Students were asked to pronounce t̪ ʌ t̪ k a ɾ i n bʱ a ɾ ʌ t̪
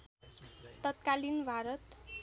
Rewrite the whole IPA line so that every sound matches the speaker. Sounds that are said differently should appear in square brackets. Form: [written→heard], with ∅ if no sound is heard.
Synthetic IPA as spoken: t̪ ʌ t̪ k a [ɾ→l] i n bʱ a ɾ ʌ t̪